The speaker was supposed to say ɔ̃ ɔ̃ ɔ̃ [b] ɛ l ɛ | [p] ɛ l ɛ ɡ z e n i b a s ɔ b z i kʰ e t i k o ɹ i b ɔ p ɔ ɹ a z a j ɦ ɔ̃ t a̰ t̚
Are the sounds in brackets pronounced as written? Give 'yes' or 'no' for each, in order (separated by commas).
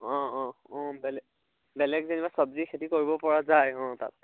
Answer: yes, no